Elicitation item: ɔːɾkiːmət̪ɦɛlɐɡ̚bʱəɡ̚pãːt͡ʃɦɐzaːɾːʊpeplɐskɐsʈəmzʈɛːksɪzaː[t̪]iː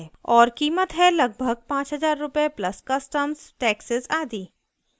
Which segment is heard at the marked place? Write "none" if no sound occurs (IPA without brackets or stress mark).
d̪